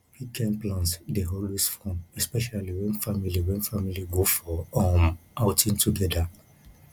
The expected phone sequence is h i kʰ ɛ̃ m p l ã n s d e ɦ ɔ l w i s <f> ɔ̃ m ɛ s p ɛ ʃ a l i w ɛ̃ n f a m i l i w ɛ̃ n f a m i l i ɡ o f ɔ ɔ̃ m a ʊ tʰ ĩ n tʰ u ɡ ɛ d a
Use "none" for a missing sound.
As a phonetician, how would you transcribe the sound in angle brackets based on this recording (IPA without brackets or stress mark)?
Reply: f